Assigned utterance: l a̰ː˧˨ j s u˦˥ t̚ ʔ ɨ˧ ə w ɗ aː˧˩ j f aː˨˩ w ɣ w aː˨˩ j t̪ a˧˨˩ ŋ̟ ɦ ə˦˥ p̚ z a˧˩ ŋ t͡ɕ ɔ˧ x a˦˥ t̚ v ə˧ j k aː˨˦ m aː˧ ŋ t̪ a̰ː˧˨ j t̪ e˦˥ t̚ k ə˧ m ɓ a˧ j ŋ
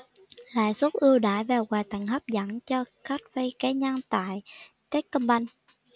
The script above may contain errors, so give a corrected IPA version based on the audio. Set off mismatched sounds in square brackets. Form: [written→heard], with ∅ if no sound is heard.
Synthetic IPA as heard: l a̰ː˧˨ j s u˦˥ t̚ ʔ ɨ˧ ə w ɗ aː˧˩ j [f→v] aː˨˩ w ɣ w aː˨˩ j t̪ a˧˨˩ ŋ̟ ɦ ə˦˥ p̚ z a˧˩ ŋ t͡ɕ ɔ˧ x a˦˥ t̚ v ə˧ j k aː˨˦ [m→ɲ] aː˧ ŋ t̪ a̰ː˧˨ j t̪ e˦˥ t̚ k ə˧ m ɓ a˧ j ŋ